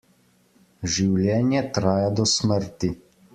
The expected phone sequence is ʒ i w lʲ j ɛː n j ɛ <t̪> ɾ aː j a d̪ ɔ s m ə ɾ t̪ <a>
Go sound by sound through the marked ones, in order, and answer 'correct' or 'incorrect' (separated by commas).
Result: correct, incorrect